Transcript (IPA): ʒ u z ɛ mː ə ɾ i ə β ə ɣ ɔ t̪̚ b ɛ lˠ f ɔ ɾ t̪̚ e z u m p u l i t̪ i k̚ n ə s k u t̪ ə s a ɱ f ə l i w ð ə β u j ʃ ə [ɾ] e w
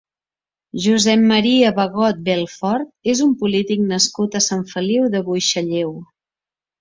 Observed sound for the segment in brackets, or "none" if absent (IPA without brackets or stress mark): ʎ